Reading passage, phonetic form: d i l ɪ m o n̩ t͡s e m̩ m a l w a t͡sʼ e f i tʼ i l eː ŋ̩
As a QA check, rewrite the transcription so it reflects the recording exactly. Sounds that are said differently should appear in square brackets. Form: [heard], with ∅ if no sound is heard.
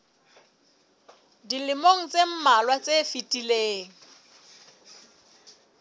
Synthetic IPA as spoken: d i l ɪ m o [ŋ̩] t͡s e m̩ m a l w a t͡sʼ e f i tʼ i l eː ŋ̩